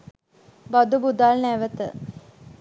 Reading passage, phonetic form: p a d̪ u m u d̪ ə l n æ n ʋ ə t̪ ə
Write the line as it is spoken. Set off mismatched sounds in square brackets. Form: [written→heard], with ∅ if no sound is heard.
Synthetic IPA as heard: [p→b] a d̪ u [m→b] u d̪ [ə→a] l n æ [n→∅] ʋ ə t̪ ə